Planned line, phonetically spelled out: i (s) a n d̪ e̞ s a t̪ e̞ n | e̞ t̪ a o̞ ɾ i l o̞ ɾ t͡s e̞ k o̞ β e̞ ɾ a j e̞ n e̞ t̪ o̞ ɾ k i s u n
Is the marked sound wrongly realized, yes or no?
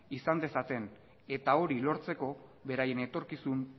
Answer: no